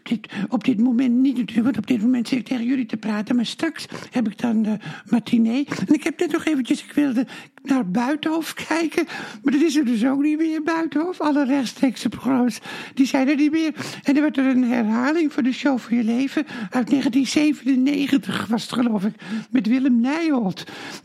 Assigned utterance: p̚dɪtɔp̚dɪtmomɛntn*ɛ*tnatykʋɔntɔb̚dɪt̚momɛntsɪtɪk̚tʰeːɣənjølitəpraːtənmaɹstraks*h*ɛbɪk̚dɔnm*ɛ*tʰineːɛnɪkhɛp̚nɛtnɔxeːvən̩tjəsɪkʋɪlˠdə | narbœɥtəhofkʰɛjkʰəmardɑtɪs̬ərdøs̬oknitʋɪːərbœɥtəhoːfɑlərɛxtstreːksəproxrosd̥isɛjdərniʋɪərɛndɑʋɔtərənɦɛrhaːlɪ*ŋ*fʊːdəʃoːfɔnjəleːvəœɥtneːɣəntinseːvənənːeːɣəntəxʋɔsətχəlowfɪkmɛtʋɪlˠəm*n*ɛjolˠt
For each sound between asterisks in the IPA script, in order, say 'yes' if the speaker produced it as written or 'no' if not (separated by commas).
no, yes, no, yes, yes